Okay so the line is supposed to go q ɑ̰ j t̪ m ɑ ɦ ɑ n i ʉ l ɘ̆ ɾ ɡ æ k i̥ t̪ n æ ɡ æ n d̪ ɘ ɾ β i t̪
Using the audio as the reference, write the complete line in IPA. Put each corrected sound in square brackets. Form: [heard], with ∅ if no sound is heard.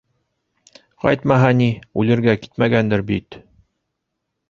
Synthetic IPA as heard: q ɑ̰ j t̪ m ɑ ɦ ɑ n i ʉ l ɘ̆ ɾ ɡ æ k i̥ t̪ [m] æ ɡ æ n d̪ ɘ ɾ [b] i t̪